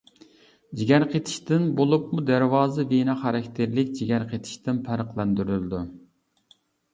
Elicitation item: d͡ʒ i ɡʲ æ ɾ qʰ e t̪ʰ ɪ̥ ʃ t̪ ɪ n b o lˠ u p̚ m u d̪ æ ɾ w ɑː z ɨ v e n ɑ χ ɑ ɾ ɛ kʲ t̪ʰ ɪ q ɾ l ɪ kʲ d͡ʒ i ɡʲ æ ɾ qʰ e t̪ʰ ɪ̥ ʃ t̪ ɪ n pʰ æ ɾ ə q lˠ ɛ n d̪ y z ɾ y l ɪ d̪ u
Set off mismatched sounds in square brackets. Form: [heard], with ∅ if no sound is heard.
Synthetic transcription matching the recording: d͡ʒ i ɡʲ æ ɾ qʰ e t̪ʰ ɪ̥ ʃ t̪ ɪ n b o lˠ u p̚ m u d̪ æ ɾ w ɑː z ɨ v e n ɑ χ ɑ ɾ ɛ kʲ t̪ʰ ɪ [∅] ɾ l ɪ kʲ d͡ʒ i ɡʲ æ ɾ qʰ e t̪ʰ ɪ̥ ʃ t̪ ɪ n pʰ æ ɾ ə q lˠ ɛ n d̪ y [∅] ɾ y l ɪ d̪ u